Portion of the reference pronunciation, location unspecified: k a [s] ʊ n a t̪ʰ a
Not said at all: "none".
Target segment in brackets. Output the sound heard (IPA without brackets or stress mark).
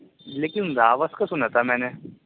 s